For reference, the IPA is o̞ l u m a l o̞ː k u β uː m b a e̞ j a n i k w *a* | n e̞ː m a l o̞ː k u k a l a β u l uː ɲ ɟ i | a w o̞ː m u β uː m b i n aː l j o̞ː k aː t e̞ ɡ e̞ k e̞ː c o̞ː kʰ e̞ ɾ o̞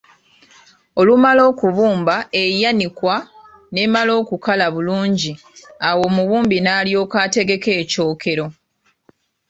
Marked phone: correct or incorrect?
correct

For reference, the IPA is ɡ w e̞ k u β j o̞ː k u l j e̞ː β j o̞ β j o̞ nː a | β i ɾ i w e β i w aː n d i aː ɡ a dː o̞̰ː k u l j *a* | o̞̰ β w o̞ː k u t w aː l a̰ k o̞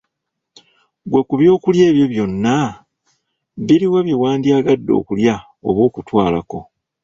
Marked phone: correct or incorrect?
correct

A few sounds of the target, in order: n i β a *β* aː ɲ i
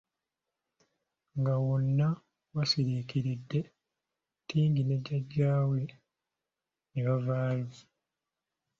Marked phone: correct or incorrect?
incorrect: v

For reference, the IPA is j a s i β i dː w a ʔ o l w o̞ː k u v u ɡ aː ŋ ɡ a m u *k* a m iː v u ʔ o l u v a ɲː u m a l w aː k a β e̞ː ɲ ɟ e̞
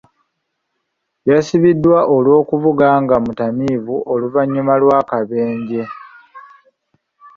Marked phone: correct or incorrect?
incorrect: t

